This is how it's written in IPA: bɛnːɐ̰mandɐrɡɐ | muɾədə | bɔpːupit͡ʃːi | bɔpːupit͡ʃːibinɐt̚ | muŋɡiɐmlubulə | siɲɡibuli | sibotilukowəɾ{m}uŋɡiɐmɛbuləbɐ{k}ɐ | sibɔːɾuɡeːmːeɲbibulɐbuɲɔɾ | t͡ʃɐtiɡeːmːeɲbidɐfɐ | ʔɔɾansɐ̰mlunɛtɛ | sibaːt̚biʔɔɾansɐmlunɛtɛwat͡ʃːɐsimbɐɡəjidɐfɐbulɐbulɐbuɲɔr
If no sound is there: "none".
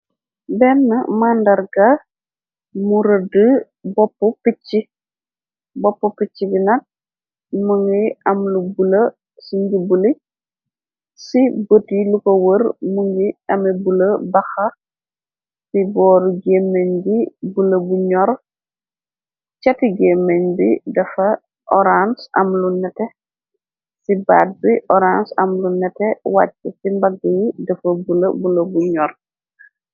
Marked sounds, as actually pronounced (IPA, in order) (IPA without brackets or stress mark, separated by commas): m, x